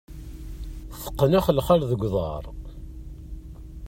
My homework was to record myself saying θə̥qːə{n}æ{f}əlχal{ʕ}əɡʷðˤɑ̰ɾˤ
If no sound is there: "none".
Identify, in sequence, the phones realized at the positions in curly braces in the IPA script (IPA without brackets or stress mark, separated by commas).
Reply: n, χ, ð